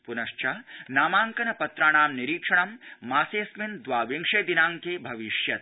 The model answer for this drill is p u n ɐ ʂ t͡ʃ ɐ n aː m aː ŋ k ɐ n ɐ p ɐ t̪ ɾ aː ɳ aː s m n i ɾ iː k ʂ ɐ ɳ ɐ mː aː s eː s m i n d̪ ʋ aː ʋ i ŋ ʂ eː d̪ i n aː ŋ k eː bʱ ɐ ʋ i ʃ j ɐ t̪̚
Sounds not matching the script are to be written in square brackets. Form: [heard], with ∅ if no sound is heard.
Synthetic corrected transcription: p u n ɐ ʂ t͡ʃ ɐ n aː m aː ŋ k ɐ n ɐ p ɐ t̪ ɾ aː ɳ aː [∅] m n i ɾ iː k ʂ ɐ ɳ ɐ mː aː s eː s m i n d̪ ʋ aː ʋ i ŋ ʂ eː d̪ i n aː ŋ k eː bʱ ɐ ʋ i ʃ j ɐ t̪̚